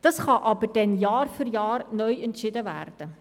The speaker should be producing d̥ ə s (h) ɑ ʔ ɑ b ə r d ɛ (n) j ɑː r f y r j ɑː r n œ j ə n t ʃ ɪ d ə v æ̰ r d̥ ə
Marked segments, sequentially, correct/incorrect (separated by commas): incorrect, correct